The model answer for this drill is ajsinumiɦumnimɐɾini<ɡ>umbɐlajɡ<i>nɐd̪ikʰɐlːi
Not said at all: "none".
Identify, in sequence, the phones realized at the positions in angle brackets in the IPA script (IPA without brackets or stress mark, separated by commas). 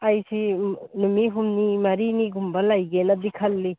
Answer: ɡ, e